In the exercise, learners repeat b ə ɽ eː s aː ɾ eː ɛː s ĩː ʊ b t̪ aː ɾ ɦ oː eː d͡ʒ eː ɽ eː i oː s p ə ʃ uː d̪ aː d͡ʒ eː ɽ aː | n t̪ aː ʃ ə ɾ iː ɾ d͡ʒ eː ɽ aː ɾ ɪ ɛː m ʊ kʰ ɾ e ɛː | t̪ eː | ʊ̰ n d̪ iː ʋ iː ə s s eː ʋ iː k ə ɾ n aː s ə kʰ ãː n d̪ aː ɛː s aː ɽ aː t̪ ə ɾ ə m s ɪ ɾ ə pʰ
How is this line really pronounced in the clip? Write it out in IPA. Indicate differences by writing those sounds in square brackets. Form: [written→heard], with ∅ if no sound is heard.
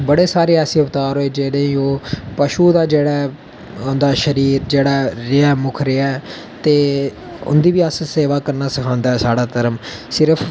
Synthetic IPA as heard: b ə ɽ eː s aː ɾ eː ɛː s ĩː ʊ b t̪ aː ɾ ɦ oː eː d͡ʒ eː ɽ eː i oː [s→∅] p ə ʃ uː d̪ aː d͡ʒ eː ɽ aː | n [t̪→d̪] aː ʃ ə ɾ iː ɾ d͡ʒ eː ɽ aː ɾ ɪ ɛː m ʊ kʰ ɾ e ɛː | t̪ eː | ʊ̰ n d̪ iː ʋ iː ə s s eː ʋ [iː→aː] k ə ɾ n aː s ə kʰ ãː n d̪ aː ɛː s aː ɽ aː t̪ ə ɾ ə m s ɪ ɾ ə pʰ